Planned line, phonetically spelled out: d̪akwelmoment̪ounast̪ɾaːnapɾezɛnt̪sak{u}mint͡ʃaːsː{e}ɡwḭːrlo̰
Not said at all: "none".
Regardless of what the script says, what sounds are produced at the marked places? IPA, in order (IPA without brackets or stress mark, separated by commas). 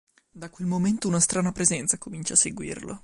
o, e